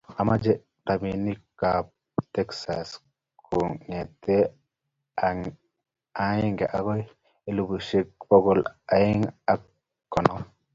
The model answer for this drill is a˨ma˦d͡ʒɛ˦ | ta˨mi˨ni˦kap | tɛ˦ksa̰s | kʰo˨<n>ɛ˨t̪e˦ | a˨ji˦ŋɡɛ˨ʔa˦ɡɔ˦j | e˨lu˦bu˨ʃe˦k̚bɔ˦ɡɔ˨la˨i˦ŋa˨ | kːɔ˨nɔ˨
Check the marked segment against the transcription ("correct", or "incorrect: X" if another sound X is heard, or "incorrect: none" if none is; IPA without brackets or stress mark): incorrect: ŋ